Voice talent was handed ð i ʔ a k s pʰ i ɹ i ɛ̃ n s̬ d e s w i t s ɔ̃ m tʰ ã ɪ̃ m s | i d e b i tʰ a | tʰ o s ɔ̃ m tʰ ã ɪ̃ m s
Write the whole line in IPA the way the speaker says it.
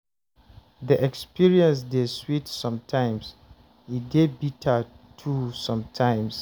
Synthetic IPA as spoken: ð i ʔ ɛ k s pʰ i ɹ i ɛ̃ n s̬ d e s w i t s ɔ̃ m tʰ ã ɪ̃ m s | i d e b i tʰ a | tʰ u s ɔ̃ m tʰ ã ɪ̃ m s